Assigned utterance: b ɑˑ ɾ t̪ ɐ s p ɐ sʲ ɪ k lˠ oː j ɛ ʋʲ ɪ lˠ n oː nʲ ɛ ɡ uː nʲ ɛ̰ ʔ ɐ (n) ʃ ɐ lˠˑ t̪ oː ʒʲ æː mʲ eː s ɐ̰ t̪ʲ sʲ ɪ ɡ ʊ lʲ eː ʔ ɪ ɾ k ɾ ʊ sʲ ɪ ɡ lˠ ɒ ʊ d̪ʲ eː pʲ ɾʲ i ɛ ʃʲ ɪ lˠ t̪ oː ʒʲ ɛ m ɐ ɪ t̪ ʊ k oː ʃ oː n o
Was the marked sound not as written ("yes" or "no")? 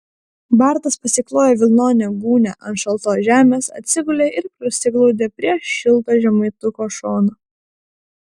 no